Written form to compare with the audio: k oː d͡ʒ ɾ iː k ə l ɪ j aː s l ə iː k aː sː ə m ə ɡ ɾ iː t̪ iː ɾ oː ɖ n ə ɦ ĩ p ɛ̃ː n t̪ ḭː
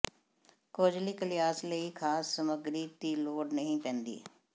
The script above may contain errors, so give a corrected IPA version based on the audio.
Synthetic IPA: k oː d͡ʒ l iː k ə l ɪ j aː s l ə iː kʰ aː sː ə m ə ɡ ɾ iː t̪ iː l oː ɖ n ə ɦ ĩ p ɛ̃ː n d̪ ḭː